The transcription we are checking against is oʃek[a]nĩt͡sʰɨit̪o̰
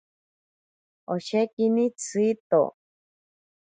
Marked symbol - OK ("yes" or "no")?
no